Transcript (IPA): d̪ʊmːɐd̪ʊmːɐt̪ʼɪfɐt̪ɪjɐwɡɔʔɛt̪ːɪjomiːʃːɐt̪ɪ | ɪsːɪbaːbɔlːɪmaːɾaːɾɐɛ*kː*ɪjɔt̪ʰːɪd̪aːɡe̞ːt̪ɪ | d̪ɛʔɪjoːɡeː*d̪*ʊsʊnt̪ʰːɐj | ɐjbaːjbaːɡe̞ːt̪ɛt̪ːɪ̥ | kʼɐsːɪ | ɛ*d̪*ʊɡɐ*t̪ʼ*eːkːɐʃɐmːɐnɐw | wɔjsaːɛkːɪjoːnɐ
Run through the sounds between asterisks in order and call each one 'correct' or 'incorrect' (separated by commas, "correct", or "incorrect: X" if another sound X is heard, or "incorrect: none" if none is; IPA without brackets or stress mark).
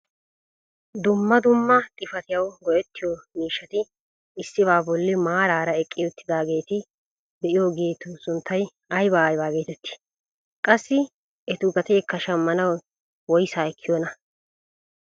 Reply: incorrect: kʼː, incorrect: t̪, incorrect: t̪, incorrect: t̪